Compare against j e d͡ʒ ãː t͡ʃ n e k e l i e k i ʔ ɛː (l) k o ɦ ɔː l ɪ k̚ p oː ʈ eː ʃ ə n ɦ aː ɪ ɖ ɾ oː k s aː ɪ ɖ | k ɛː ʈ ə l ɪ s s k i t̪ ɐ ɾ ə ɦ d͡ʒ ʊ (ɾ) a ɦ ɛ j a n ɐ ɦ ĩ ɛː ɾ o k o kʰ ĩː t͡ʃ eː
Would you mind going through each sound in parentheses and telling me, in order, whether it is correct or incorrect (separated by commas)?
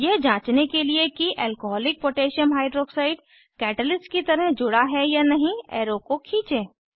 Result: correct, incorrect